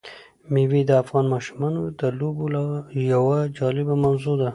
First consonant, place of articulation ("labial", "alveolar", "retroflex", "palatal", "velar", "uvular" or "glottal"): labial